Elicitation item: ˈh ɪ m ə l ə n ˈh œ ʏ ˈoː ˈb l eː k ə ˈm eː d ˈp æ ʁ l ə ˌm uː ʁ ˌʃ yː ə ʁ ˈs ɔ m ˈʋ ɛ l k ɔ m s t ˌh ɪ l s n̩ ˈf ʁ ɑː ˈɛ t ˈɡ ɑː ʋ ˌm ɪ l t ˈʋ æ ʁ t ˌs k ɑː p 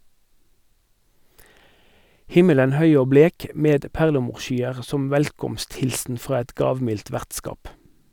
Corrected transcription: ˈh ɪ m ə l ə n ˈh œ ʏ ˈoː ˈb l eː k ə ˈm eː d ˈp æ ʁ l ə ˌm uː ʁ ˌʃ yː ə ʁ ˈs ɔ m ˈʋ ɛ l k ɔ m s t ˌh ɪ l s n̩ ˈf ʁ ɑː ˈɛ t ˈɡ ɑː ʋ ˌm ɪ l t ˈʋ æ ʁ t ˌs k ɑː p